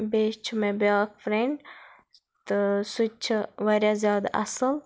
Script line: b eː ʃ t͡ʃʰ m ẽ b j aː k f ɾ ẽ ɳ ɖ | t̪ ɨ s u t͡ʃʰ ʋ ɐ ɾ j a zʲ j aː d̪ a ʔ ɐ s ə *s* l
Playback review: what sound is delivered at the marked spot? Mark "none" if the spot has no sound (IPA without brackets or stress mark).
none